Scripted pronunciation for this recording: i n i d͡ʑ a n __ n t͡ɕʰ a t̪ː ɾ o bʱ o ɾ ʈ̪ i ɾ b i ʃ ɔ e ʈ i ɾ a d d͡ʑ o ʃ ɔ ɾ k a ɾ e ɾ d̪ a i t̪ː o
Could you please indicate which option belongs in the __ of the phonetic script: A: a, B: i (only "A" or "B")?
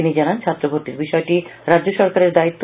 A